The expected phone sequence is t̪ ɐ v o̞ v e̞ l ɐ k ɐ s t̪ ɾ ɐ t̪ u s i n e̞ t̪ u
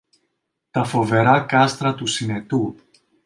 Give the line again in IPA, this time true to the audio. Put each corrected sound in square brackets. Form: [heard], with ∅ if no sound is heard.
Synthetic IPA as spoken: t̪ ɐ [f] o̞ v e̞ [ɾ] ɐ k ɐ s t̪ ɾ ɐ t̪ u s i n e̞ t̪ u